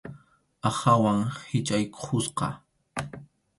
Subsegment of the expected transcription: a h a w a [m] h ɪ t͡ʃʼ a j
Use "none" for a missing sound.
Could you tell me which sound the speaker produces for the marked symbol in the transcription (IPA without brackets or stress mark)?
ŋ